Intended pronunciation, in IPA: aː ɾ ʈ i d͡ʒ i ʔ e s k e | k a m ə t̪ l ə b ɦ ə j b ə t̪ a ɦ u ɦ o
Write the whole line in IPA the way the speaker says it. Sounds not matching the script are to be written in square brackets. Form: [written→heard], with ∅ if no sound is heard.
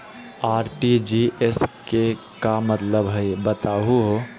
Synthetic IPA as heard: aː ɾ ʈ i d͡ʒ i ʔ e s k e | k a m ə t̪ l ə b ɦ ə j b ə t̪ a ɦ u ɦ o